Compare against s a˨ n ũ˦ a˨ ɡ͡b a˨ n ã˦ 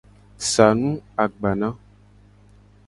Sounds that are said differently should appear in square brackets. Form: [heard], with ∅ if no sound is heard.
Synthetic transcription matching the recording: s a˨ n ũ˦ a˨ ɡ͡b a˨ n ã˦

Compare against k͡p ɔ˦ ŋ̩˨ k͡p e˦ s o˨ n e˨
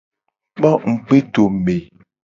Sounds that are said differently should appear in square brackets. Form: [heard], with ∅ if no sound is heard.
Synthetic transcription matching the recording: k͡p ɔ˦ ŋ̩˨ k͡p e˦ [t] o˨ [m] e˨

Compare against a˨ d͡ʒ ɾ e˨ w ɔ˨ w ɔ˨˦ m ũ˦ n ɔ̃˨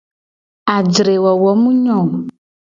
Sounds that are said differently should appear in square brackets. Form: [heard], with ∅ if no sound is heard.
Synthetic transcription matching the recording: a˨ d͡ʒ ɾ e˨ w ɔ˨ w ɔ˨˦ m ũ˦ [ɲ] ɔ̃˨

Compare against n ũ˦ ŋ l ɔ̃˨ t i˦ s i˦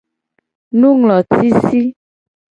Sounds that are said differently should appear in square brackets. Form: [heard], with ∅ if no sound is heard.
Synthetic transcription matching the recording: n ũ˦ ŋ l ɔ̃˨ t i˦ s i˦

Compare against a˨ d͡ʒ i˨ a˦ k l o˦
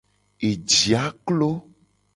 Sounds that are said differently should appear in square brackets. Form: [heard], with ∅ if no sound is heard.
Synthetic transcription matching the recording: [e˨] d͡ʒ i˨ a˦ k l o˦

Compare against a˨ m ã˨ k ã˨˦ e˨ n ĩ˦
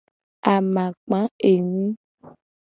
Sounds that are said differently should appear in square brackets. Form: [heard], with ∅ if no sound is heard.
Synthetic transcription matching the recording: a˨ m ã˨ [k͡p] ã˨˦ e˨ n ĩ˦

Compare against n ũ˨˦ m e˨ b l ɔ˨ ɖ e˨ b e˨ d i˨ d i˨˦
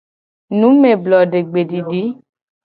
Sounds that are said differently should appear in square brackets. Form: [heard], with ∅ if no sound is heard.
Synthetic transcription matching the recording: n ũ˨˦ m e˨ b l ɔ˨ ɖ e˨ [ɡ͡b] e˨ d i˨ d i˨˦

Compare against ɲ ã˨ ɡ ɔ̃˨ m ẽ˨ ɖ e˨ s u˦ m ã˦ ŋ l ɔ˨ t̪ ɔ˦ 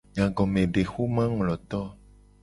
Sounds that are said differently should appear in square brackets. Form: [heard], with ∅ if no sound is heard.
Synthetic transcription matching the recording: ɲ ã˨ ɡ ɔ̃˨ m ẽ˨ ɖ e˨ [x] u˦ m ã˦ ŋ l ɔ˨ t̪ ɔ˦

